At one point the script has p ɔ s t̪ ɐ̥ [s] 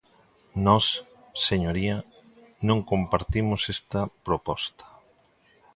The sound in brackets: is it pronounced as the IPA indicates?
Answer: no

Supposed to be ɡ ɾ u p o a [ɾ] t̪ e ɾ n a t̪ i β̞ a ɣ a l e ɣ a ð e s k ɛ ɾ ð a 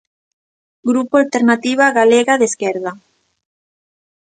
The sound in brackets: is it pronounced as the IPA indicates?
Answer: no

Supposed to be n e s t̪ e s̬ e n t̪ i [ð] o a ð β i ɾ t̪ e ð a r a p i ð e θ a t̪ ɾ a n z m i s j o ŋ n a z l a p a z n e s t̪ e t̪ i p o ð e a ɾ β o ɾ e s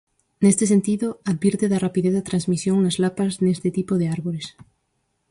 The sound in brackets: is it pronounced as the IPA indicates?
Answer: yes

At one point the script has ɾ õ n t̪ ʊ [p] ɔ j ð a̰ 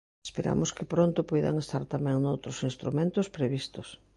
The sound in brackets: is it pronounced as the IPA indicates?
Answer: yes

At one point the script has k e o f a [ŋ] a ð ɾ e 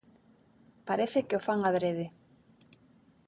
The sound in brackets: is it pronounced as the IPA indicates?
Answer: yes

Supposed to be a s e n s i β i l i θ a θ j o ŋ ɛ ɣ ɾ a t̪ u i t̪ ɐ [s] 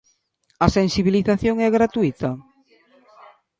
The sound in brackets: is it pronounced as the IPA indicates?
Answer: no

